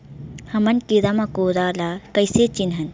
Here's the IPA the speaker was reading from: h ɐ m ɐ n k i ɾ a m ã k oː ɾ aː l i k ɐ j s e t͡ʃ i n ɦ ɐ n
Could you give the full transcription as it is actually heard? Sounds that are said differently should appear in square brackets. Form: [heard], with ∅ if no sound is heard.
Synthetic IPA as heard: h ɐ m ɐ n k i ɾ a m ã k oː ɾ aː l [a] k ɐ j s e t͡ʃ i n ɦ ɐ n